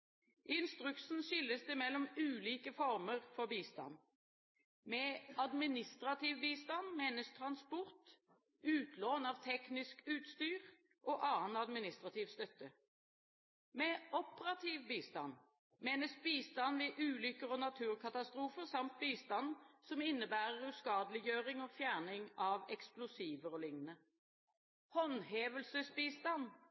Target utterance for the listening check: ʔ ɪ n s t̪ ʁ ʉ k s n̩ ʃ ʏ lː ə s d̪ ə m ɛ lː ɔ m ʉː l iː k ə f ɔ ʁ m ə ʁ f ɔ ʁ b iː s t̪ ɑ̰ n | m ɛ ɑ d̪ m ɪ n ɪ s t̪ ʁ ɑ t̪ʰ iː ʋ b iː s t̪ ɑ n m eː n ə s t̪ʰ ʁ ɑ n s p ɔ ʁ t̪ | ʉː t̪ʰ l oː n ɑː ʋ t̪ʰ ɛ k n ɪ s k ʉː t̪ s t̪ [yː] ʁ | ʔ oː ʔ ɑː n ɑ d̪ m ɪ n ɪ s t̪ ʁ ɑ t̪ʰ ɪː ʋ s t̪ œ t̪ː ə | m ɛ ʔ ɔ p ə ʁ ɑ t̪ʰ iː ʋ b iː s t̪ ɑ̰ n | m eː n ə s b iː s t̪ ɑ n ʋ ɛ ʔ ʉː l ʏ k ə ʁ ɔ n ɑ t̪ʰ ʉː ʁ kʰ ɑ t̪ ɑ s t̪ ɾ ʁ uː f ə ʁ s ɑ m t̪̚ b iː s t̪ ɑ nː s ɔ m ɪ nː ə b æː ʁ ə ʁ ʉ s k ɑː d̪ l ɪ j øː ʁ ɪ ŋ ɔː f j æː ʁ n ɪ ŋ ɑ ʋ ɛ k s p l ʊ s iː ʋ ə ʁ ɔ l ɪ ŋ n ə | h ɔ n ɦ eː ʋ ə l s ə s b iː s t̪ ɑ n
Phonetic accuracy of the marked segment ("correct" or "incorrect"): correct